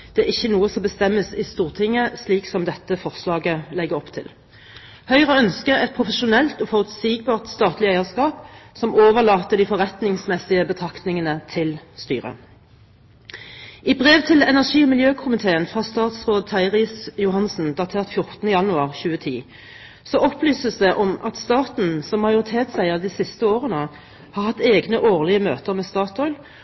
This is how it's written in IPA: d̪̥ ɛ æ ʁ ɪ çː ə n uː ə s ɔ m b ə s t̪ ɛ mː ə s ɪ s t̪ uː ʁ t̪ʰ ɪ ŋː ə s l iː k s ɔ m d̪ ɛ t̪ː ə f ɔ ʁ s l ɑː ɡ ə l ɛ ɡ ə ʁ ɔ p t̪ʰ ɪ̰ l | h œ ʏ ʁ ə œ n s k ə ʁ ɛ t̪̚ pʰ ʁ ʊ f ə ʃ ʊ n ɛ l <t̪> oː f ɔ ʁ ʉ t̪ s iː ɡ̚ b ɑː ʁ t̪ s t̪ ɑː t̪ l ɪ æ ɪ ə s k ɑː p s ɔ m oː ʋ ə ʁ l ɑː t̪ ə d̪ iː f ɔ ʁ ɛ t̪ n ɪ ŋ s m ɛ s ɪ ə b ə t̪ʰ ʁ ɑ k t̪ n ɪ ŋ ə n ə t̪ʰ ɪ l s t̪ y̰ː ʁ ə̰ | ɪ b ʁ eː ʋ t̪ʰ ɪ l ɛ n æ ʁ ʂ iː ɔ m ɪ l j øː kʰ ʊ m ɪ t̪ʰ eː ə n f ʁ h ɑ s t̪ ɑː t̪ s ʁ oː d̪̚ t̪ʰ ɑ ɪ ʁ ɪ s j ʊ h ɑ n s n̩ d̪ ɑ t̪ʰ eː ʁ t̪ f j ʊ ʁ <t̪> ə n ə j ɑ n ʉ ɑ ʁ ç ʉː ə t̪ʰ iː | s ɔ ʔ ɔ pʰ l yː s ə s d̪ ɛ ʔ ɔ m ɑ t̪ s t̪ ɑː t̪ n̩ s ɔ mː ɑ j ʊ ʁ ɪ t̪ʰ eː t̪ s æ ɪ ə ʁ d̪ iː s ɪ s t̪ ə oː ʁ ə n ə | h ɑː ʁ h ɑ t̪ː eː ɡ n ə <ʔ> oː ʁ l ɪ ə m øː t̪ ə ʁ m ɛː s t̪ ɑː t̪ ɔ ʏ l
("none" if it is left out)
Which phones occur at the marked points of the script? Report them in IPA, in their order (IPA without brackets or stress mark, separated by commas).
t̪, t̪, ʔ